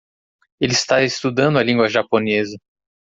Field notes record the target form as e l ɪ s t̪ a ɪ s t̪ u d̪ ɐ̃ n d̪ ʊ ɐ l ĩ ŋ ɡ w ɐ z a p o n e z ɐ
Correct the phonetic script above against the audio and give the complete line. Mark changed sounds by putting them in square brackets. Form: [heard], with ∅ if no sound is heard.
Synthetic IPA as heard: e l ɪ s t̪ a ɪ s t̪ u d̪ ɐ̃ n d̪ ʊ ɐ l ĩ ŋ ɡ w ɐ [ʒ] a p o n e z ɐ